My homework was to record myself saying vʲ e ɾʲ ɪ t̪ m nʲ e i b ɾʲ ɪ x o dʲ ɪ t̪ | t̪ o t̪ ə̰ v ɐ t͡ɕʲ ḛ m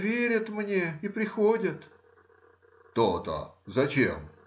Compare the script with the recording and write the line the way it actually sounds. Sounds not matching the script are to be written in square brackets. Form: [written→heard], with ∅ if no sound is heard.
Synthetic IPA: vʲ e ɾʲ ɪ t̪ m nʲ e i [b→p] ɾʲ ɪ x o dʲ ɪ t̪ | t̪ o t̪ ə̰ [v→z] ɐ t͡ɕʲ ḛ m